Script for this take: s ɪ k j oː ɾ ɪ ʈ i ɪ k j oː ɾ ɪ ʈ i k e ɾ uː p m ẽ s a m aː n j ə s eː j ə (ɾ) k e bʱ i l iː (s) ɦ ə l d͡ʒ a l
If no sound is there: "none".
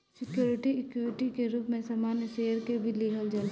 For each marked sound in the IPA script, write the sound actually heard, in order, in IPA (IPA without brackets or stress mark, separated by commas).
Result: ɾ, none